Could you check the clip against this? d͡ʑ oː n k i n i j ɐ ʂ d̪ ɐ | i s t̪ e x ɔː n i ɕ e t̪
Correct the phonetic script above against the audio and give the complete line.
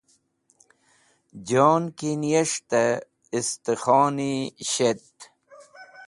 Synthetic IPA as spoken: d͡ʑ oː n k i n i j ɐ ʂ t̪ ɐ | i s t̪ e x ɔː n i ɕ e t̪